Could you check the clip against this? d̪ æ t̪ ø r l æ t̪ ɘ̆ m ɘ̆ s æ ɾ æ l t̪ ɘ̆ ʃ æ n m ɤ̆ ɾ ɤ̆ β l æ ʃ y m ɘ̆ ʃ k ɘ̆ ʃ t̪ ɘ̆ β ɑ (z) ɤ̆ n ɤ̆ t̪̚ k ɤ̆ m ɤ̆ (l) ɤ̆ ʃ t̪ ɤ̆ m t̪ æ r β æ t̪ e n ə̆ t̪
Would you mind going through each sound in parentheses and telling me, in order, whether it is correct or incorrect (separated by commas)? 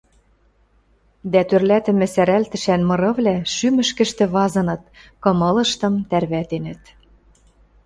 correct, correct